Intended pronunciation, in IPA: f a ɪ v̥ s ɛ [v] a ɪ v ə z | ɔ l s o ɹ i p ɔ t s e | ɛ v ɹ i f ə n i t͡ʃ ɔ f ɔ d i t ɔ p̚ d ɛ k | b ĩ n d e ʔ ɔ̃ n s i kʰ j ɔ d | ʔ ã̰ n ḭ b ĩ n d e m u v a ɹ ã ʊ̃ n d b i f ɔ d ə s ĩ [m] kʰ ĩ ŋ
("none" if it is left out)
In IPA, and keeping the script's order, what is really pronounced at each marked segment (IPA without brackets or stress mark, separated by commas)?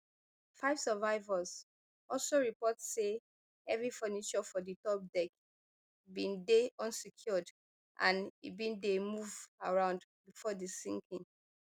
v, ŋ